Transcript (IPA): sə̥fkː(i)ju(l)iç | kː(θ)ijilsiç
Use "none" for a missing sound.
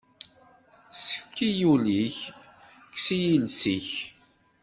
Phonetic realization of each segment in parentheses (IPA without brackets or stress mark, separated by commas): i, l, s